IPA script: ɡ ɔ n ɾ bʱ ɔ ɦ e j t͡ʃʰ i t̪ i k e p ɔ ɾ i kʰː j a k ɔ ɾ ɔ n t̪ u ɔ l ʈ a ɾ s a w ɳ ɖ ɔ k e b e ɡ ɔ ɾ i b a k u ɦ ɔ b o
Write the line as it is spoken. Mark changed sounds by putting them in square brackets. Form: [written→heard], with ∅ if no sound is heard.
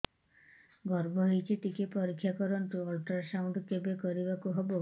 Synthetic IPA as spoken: ɡ ɔ [n→∅] ɾ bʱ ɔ ɦ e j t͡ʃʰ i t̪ i k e p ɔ ɾ i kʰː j a k ɔ ɾ ɔ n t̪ u ɔ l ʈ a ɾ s a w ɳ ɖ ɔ k e b e [ɡ→k] ɔ ɾ i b a k u ɦ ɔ b o